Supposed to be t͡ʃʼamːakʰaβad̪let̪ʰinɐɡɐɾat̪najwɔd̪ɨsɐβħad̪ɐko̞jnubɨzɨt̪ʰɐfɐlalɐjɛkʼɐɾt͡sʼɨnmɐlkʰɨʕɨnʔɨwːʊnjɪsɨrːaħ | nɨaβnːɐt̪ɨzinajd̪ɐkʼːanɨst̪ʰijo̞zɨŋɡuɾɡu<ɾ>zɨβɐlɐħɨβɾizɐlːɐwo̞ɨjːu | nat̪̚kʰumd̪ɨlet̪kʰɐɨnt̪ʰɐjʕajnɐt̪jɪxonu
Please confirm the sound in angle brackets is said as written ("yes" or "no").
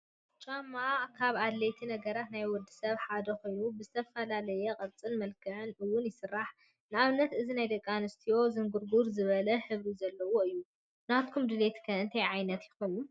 yes